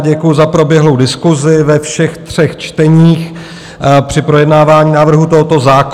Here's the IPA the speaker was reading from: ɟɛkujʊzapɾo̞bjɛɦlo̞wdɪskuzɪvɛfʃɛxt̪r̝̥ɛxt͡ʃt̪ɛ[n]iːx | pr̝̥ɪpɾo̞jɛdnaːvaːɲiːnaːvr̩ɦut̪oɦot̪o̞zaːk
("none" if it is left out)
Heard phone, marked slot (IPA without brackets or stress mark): ɲ